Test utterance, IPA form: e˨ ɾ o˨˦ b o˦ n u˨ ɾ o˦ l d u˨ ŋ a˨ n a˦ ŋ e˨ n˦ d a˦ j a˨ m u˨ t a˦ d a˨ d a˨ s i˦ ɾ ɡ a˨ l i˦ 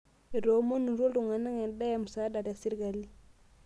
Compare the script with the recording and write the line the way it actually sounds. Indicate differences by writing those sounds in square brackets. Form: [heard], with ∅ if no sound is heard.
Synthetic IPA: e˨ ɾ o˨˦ [m] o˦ n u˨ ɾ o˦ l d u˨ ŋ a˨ n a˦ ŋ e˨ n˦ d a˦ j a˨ m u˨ [s] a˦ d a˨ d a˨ s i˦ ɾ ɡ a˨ l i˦